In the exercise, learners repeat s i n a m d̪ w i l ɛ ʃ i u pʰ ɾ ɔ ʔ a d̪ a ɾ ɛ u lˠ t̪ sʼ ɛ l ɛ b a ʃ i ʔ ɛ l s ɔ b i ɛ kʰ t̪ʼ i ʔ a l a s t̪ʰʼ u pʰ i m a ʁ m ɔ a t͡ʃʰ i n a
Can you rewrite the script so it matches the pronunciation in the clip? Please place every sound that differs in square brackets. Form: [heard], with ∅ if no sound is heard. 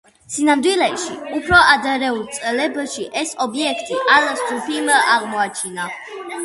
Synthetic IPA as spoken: s i n a m d̪ w i l ɛ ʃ i u pʰ ɾ ɔ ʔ a d̪ a ɾ ɛ u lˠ t̪ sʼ ɛ l ɛ b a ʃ i ʔ ɛ [∅] s ɔ b i ɛ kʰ t̪ʼ i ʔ a l a s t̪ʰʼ u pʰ i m a ʁ m ɔ a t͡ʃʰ i n a